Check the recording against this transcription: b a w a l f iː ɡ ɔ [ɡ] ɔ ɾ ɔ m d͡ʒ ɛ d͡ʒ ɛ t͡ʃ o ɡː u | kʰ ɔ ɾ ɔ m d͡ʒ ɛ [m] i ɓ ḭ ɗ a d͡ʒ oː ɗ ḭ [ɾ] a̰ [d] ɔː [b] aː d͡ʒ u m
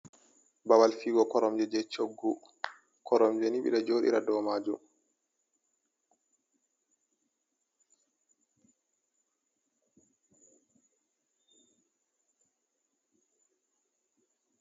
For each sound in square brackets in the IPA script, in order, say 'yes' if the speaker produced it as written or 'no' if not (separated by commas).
no, no, yes, yes, no